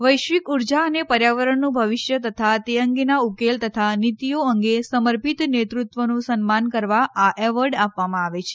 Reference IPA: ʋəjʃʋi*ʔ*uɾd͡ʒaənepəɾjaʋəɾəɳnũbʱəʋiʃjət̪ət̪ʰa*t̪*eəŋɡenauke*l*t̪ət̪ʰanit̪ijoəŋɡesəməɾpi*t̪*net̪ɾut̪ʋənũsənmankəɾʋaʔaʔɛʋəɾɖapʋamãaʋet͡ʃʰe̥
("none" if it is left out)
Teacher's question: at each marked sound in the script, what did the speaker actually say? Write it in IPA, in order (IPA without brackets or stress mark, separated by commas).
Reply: k, t̪, l, t̪